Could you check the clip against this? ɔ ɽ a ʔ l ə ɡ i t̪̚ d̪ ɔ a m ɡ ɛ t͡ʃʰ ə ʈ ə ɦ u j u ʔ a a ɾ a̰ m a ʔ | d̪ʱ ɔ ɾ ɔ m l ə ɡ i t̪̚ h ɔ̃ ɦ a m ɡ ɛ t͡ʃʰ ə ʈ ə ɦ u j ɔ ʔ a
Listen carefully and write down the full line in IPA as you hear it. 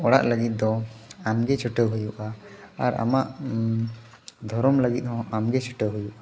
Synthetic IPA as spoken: ɔ ɽ a ʔ l ə ɡ i t̪̚ d̪ ɔ a m ɡ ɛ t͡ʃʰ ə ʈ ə ɦ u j u ʔ a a ɾ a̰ m a ʔ | d̪ʱ ɔ ɾ ɔ m l ə ɡ i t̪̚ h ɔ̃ a m ɡ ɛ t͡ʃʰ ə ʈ ə ɦ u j u ʔ a